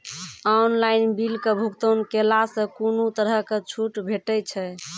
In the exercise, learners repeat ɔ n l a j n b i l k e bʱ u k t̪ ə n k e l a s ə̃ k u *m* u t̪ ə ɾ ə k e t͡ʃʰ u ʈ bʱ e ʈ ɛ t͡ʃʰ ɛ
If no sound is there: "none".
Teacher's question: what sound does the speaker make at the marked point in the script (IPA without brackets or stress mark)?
n